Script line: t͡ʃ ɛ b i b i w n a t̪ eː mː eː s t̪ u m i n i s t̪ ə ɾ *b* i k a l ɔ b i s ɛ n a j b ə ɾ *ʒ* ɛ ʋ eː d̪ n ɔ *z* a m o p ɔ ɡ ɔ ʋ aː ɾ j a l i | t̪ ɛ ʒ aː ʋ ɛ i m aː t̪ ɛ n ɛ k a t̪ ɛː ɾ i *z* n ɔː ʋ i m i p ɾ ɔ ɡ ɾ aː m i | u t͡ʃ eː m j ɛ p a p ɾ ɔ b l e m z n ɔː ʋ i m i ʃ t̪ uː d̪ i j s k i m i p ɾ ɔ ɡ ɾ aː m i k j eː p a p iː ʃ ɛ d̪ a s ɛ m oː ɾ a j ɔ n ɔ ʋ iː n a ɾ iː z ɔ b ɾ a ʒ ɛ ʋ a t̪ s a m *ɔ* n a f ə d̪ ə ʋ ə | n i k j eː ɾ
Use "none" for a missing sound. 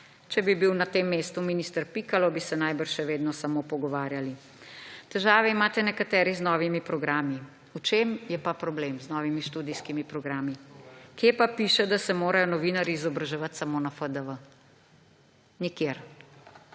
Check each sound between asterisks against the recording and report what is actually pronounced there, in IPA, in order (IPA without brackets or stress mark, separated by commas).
p, ʃ, s, z, o